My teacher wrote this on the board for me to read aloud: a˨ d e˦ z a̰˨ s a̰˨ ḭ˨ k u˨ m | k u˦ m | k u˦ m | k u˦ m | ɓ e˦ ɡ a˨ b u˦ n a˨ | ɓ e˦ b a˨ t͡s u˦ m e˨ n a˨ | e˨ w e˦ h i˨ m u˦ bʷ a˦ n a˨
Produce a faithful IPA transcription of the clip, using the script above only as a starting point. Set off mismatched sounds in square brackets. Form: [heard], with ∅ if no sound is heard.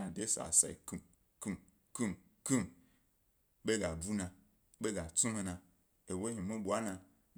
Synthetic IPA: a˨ d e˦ [s] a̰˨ s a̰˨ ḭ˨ k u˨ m | k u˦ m | k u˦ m | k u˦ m | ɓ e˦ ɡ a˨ b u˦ n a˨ | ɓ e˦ [ɡ] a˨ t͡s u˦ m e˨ n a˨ | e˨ w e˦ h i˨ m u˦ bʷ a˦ n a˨